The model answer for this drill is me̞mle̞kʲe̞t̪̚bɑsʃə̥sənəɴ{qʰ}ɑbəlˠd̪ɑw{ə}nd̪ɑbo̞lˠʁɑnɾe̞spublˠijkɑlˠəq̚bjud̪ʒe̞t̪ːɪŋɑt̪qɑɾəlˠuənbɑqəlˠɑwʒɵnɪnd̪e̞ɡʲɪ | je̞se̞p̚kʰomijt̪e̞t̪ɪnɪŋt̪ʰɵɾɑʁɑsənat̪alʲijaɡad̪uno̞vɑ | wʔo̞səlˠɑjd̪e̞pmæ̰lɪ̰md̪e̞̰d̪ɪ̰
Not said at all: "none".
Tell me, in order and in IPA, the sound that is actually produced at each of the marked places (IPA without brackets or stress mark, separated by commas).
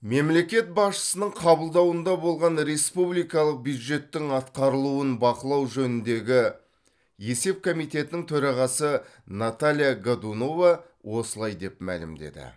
qʰ, ə